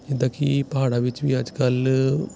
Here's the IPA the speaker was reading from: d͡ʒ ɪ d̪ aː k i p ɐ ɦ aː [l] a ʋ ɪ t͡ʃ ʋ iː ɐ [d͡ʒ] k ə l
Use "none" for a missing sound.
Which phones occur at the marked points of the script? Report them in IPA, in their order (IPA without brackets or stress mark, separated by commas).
ɽ, d͡ʒ